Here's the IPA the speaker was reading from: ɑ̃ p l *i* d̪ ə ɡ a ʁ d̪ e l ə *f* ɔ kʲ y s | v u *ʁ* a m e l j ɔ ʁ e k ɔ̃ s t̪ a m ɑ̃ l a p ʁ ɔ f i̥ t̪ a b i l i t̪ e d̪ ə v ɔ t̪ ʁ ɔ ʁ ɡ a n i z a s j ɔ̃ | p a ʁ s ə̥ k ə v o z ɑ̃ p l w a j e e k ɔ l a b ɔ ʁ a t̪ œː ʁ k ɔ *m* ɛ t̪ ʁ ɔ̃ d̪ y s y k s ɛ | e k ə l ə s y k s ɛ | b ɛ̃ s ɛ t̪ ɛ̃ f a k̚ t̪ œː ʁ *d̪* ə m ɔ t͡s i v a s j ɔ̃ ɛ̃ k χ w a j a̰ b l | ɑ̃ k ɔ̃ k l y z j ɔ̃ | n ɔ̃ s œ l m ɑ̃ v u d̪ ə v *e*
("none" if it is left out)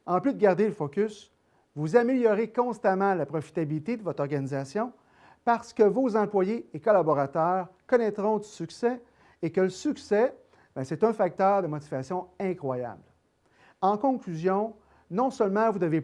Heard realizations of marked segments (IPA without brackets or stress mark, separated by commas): y, f, z, n, d̪, e